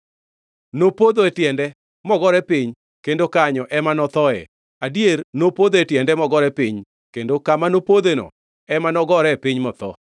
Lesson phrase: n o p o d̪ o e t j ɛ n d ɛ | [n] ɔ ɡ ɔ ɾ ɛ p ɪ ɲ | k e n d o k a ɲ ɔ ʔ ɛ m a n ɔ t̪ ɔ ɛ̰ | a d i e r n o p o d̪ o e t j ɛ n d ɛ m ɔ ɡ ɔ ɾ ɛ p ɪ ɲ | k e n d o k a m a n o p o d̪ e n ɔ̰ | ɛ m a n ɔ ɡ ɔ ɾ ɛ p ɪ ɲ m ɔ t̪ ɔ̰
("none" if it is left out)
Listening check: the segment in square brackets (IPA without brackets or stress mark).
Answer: m